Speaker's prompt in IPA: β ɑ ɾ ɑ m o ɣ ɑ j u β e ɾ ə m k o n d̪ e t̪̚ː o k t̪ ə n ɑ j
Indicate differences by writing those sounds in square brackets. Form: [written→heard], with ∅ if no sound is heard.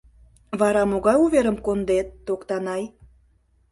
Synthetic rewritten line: β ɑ ɾ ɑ m o ɣ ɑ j u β e ɾ ə m k o n d̪ e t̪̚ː o k t̪ [ə→ɑ] n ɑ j

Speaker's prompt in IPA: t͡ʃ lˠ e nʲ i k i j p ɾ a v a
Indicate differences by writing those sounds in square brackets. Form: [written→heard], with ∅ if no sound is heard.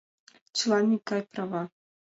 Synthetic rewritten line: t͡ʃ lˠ [e→a] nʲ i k [i→a] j p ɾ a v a

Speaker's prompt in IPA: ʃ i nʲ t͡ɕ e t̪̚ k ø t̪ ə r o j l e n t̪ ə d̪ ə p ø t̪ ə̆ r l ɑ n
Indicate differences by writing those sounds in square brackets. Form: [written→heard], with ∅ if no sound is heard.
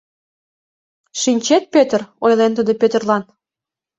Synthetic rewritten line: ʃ i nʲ t͡ɕ e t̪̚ [k→p] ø t̪ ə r o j l e n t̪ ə d̪ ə p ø t̪ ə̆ r l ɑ n

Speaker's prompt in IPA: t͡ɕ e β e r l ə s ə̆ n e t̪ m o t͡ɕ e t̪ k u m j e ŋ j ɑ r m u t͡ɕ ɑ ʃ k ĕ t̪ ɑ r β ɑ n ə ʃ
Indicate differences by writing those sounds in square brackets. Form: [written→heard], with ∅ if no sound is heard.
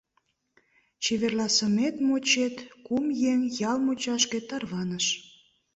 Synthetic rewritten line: t͡ɕ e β e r l [ə→ɑ] s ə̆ [n→m] e t̪ m o t͡ɕ e t̪ k u m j e ŋ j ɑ [r→l] m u t͡ɕ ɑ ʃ k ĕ t̪ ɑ r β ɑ n ə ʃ

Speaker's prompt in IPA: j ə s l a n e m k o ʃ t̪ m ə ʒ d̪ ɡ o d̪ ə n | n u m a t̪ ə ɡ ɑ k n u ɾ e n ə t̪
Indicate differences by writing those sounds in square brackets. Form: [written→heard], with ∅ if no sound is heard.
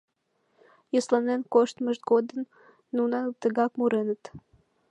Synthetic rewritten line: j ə s l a n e [m→n] k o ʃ t̪ m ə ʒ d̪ ɡ o d̪ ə n | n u [m→n] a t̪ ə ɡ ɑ k [n→m] u ɾ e n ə t̪

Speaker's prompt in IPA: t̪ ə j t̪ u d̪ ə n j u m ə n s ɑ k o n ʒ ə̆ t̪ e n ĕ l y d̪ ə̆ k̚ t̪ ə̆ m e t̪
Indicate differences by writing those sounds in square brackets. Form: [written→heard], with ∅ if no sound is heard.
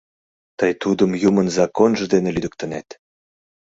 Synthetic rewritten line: t̪ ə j t̪ u d̪ ə [n→m] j u m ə n [s→z] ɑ k o n ʒ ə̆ [t̪→d̪] e n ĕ l y d̪ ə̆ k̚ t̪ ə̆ [m→n] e t̪

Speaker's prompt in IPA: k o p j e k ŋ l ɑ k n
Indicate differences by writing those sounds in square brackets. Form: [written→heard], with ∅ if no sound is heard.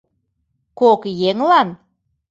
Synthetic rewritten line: k o [p→k] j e [k→∅] ŋ l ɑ [k→∅] n

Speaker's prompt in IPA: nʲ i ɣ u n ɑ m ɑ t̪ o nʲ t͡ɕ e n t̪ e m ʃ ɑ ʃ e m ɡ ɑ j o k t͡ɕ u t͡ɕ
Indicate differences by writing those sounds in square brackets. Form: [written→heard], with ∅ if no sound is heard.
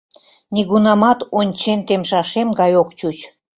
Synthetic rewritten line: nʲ i ɣ u n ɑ m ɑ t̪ o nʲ t͡ɕ e n t̪ e m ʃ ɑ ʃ e m ɡ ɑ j o k t͡ɕ u t͡ɕ

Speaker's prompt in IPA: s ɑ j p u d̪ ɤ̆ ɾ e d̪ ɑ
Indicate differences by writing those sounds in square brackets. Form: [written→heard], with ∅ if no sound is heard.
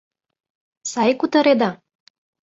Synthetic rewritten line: s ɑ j [p→k] u [d̪→t̪] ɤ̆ ɾ e d̪ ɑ

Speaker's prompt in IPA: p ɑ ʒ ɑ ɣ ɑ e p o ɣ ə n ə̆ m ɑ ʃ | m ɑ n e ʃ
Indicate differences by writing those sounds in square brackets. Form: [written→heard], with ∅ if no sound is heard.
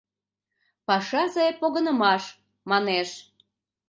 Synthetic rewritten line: p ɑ [ʒ→ʃ] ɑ [ɣ→z] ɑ e p o ɣ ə n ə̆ m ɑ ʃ | m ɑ n e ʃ

